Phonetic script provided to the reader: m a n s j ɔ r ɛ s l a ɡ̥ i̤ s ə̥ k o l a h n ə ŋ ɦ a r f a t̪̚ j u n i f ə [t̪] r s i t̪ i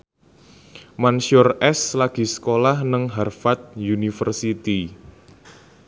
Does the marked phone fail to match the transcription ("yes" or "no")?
yes